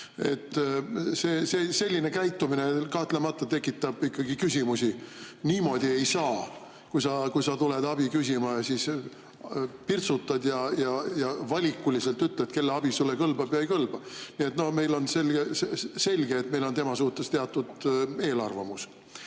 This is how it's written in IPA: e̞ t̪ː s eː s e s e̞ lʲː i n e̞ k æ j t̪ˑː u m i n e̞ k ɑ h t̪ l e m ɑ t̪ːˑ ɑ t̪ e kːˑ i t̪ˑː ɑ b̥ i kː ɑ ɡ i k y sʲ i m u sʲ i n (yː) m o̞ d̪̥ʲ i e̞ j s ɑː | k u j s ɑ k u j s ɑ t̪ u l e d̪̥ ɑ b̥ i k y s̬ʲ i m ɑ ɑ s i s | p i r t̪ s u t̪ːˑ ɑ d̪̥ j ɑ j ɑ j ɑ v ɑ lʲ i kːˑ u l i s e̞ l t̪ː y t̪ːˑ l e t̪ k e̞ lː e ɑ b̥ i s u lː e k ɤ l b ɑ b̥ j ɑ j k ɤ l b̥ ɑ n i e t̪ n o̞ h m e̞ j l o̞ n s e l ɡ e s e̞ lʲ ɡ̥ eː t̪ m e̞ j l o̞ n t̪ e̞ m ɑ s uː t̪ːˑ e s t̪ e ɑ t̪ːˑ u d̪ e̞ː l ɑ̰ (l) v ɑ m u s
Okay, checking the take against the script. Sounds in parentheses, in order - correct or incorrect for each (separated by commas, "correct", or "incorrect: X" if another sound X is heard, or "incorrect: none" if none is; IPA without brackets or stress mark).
incorrect: iː, incorrect: r